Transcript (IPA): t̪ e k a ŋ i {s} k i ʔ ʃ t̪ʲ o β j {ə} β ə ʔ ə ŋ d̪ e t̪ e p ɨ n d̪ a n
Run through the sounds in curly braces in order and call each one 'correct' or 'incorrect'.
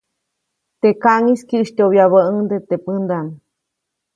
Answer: correct, incorrect

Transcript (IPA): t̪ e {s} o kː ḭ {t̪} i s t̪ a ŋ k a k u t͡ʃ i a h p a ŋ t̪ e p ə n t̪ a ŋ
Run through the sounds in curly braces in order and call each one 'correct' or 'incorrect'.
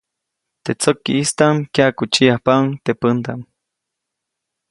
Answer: incorrect, incorrect

